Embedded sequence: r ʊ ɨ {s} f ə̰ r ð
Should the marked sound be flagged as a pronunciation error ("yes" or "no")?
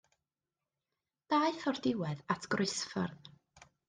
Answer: no